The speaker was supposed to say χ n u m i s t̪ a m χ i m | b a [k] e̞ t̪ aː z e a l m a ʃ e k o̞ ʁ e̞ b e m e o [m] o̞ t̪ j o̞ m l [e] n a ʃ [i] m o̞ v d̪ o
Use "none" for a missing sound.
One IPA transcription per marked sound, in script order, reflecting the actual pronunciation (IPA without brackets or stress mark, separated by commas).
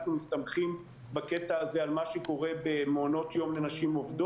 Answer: k, n, e, i